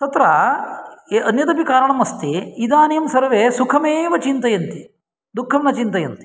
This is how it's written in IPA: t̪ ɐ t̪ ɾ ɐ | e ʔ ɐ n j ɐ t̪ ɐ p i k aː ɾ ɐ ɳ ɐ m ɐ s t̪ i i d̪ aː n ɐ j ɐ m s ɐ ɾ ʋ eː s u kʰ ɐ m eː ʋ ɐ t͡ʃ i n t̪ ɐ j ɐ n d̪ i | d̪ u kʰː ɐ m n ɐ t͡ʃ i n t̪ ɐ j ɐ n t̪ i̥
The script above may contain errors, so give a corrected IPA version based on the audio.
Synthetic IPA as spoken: t̪ ɐ t̪ ɾ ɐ | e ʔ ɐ n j ɐ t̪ ɐ p i k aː ɾ ɐ ɳ ɐ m ɐ s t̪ i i d̪ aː n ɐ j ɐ m s ɐ ɾ ʋ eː s u kʰ ɐ m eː ʋ ɐ t͡ʃ i n t̪ ɐ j ɐ n t̪ i | d̪ u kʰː ɐ m n ɐ t͡ʃ i n t̪ ɐ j ɐ n t̪ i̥